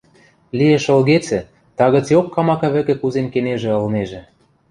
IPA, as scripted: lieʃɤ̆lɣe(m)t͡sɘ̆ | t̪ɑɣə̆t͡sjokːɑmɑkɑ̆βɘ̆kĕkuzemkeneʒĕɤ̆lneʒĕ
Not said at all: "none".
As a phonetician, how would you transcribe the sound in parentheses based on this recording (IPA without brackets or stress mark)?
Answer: none